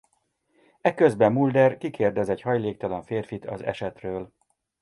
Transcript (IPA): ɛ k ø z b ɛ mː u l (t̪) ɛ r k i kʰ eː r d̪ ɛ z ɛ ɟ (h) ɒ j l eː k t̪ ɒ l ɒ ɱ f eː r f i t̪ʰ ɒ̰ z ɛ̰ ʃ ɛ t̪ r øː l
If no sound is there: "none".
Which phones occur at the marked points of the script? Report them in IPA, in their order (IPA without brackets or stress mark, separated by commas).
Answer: d̪, h